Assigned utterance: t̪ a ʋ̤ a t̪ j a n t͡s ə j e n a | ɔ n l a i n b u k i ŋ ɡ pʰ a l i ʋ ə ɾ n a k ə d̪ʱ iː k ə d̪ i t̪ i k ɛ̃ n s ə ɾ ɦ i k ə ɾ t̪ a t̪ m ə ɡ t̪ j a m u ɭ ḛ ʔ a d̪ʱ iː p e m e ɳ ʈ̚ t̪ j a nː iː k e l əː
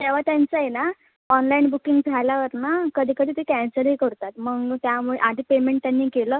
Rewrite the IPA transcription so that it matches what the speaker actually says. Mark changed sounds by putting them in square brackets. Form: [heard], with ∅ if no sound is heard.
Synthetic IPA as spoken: t̪ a ʋ̤ a t̪ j a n t͡s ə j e n a | ɔ n l a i n b u k i ŋ ɡ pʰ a l [a] ʋ ə ɾ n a k ə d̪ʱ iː k ə d̪ i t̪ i k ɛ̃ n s ə ɾ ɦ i k ə ɾ t̪ a t̪ m ə ɡ t̪ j a m u ɭ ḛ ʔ a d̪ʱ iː p e m e ɳ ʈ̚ t̪ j a nː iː k e l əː